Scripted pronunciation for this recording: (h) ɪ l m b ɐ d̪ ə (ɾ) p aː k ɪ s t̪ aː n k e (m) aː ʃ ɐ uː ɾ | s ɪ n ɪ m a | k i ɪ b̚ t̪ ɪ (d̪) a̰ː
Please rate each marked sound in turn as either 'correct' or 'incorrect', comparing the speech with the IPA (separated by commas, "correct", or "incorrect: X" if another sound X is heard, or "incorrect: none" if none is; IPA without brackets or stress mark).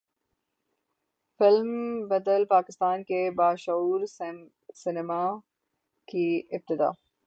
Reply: incorrect: f, incorrect: l, incorrect: b, correct